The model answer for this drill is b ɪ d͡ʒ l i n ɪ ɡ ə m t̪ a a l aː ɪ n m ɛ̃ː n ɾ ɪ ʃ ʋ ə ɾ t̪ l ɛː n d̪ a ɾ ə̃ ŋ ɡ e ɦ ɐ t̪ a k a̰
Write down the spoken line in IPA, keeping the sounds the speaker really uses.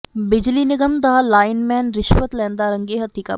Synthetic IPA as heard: b ɪ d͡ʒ l i n ɪ ɡ ə m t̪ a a l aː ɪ n m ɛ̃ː n ɾ ɪ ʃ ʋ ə t̪ l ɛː n d̪ a ɾ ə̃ ŋ ɡ e ɦ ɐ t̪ i k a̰